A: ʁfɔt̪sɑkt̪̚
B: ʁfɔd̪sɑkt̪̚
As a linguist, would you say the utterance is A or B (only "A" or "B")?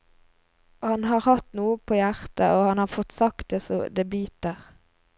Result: A